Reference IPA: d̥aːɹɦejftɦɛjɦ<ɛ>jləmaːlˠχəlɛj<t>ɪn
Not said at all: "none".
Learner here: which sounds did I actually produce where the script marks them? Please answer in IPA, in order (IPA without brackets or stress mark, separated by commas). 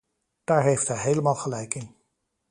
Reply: e, k